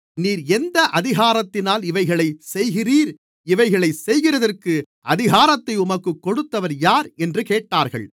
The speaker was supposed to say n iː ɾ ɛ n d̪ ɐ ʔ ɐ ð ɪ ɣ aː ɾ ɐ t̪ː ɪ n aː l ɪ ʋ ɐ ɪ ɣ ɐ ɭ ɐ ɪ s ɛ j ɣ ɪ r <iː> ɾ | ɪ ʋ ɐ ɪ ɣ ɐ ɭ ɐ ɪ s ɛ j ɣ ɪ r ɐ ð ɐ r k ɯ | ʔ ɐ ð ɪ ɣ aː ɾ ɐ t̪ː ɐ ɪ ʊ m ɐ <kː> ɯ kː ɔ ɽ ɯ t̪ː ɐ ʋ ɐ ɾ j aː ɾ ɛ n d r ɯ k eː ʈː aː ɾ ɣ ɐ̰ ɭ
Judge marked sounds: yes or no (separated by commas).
yes, yes